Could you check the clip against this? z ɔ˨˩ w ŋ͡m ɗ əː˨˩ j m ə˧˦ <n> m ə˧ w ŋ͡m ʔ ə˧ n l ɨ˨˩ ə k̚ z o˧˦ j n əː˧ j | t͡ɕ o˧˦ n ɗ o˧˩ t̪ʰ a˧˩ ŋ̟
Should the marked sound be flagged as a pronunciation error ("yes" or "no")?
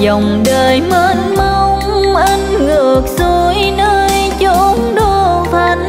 no